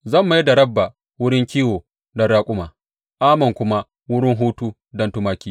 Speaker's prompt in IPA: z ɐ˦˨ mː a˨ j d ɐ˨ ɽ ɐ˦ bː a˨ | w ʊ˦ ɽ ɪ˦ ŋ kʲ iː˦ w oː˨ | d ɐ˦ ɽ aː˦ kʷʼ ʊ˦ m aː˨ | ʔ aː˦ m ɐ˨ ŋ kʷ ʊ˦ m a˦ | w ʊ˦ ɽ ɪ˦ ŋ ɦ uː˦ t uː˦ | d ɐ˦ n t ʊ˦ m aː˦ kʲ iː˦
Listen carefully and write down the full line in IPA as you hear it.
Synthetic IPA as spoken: z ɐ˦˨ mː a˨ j d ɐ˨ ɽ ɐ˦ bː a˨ | w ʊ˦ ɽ ɪ˦ ŋ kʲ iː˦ w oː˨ | d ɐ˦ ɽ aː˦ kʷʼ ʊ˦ m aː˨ | ʔ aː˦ m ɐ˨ ŋ kʷ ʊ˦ m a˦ | w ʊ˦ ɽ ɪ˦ ŋ ɦ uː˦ t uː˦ | d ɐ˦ n t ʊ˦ m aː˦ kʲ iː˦